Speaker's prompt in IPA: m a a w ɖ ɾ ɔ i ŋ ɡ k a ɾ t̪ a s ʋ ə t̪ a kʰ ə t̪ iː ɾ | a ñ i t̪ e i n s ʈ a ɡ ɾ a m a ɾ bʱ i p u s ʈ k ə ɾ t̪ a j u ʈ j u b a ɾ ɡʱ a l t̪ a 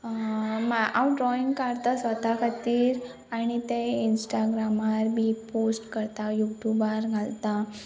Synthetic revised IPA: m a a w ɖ ɾ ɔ i ŋ ɡ k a ɾ t̪ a s ʋ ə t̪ a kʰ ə t̪ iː ɾ | a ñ i t̪ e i n s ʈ a ɡ ɾ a m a ɾ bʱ i p o s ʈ k ə ɾ t̪ a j u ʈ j u b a ɾ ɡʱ a l t̪ a

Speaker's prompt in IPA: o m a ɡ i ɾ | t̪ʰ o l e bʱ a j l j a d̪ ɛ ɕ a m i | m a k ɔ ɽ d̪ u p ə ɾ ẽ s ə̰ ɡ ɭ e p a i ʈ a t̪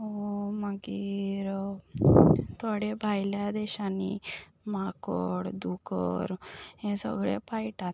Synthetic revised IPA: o m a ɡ i ɾ | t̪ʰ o ɽ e bʱ a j l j a d̪ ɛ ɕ a n i | m a k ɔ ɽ d̪ u k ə ɾ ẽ s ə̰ ɡ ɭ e p a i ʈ a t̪

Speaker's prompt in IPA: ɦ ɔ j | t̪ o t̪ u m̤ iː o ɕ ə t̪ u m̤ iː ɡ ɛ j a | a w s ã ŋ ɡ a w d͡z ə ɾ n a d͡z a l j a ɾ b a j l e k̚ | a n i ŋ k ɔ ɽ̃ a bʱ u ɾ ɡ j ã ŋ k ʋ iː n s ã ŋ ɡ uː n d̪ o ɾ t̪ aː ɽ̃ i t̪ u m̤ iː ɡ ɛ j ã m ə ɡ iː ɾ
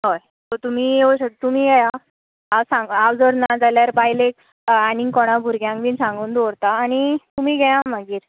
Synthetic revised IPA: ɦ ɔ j | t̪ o t̪ u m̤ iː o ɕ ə t̪ u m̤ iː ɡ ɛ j a | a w s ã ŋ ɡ a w d͡z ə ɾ n a d͡z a l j a ɾ b a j l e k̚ | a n i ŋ k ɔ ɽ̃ a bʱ u ɾ ɡ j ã ŋ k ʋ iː n s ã ŋ ɡ uː n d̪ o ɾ t̪ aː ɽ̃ i t̪ u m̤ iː ɡ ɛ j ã m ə ɡ iː ɾ

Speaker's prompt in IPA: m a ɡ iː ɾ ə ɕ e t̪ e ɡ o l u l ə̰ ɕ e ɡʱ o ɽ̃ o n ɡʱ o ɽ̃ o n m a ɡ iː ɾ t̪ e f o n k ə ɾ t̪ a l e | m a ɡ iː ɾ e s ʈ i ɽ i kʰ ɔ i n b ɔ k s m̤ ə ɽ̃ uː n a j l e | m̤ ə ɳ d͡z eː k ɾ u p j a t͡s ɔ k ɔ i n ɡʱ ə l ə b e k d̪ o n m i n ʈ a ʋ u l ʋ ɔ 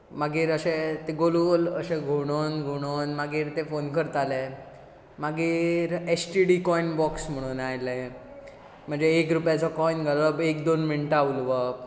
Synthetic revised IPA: m a ɡ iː ɾ ə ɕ e t̪ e ɡ o l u l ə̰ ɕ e ɡʱ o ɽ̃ o n ɡʱ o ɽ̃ o n m a ɡ iː ɾ t̪ e f o n k ə ɾ t̪ a l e | m a ɡ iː ɾ e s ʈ i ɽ i k ɔ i n b ɔ k s m̤ ə ɽ̃ uː n a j l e | m̤ ə ɳ d͡z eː k ɾ u p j a t͡s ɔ k ɔ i n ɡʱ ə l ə b e k d̪ o n m i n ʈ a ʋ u l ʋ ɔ

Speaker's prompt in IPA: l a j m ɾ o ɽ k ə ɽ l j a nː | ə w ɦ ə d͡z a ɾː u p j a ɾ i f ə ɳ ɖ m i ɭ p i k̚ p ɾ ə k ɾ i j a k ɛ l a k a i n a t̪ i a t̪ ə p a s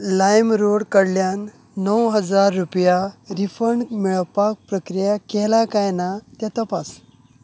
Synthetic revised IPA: l a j m ɾ o ɽ k ə ɽ l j a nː | ə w ɦ ə d͡z a ɾː u p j a ɾ i f ə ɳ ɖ m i ɭ p a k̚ p ɾ ə k ɾ i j a k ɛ l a k a j n a t̪ j a t̪ ə p a s

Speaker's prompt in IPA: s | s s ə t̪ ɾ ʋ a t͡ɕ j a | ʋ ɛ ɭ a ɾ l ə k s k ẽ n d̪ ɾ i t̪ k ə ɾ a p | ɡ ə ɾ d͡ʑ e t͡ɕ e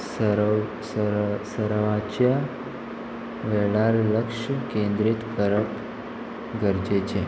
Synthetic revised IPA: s | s s ə ɾ ʋ a t͡ɕ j a | ʋ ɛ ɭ a ɾ l ə k ʂ k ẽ n d̪ ɾ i t̪ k ə ɾ ə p | ɡ ə ɾ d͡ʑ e t͡ɕ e

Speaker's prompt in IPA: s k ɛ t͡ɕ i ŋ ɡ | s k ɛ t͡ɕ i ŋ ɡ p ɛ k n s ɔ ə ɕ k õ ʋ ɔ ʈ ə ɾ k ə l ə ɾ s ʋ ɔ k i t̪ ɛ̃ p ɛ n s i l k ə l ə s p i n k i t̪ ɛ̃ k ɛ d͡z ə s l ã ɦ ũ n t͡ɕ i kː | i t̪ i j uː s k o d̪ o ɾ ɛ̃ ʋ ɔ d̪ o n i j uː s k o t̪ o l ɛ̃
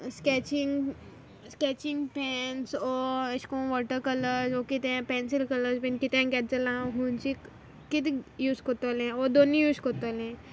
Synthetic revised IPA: s k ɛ t͡ɕ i ŋ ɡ | s k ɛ t͡ɕ i ŋ ɡ p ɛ n s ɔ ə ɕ k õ ʋ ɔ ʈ ə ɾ k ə l ə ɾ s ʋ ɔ k i t̪ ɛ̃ p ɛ n s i l k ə l ə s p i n k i t̪ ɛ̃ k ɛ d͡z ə l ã ɦ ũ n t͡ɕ i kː | i t̪ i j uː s k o t̪ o l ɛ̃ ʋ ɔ d̪ o n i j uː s k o t̪ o l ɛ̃

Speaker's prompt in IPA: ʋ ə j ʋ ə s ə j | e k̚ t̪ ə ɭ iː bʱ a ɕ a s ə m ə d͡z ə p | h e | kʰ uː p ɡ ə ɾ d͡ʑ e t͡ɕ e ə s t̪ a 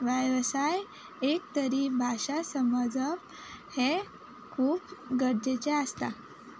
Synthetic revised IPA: ʋ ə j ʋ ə s a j | e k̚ t̪ ə ɾ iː bʱ a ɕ a s ə m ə d͡z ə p | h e | kʰ uː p ɡ ə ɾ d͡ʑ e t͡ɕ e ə s t̪ a

